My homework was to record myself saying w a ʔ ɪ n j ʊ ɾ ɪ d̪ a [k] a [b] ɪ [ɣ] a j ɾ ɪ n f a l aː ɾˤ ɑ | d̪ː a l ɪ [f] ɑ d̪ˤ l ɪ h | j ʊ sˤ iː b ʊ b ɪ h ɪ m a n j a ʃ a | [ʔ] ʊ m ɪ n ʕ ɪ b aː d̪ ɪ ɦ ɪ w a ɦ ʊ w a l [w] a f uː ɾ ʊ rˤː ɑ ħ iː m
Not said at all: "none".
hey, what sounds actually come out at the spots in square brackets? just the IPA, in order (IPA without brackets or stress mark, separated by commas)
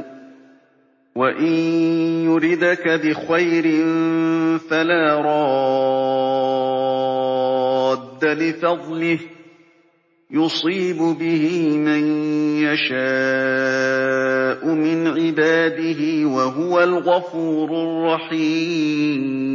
k, b, x, f, ʔ, ɣ